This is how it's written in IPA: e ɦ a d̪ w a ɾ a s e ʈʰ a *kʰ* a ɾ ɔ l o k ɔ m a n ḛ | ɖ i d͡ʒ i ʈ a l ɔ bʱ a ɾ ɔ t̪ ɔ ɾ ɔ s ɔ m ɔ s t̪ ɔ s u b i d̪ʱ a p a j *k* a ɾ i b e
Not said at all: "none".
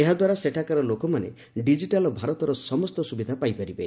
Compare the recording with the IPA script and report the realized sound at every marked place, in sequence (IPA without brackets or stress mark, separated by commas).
k, p